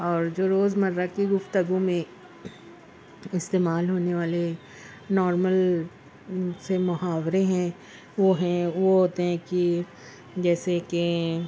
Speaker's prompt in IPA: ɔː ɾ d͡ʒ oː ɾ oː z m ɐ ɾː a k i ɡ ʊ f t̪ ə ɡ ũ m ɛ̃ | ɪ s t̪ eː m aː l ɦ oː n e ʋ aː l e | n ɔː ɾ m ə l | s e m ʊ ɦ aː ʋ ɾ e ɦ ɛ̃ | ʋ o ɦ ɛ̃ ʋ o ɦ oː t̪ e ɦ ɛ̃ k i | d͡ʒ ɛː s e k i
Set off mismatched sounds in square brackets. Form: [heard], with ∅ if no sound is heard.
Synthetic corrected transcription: ɔː ɾ d͡ʒ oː ɾ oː z m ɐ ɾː a k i ɡ ʊ f t̪ ə ɡ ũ m [ẽ] | ɪ s t̪ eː m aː l ɦ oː n e ʋ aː l e | n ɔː ɾ m ə l | s e m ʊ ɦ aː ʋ ɾ e ɦ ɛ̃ | ʋ o ɦ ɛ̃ ʋ o ɦ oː t̪ e ɦ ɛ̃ k i | d͡ʒ ɛː s e k [e]